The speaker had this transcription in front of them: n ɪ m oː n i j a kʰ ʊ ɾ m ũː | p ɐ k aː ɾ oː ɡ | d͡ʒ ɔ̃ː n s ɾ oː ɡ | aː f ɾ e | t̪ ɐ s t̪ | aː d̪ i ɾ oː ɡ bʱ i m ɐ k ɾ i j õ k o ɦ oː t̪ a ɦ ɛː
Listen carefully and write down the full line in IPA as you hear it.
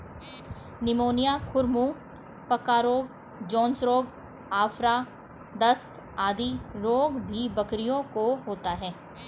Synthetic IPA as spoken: n ɪ m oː n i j a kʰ ʊ ɾ m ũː | p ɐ k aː ɾ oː ɡ | d͡ʒ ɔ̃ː n s ɾ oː ɡ | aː f ɾ a | d̪ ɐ s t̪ | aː d̪ i ɾ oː ɡ bʱ i b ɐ k ɾ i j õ k o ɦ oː t̪ a ɦ ɛː